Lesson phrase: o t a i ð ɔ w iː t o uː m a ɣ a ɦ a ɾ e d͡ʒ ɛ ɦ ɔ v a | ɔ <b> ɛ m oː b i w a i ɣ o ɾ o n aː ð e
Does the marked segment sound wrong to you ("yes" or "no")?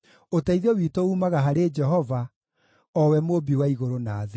yes